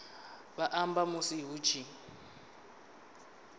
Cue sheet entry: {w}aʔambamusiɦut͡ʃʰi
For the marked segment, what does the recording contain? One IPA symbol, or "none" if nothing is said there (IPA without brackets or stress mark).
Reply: β